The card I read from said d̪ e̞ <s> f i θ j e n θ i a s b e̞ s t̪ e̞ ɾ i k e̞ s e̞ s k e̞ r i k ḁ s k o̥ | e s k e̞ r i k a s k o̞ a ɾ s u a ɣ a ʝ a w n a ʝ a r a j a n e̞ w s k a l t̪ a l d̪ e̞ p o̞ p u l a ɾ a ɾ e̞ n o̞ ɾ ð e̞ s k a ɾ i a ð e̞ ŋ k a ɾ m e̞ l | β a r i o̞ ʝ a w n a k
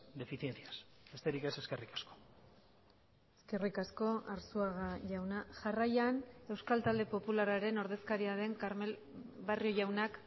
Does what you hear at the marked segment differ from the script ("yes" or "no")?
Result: yes